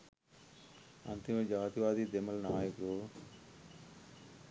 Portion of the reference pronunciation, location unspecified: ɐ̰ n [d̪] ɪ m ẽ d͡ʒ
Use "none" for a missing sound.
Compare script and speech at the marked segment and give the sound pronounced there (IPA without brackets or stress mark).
t̪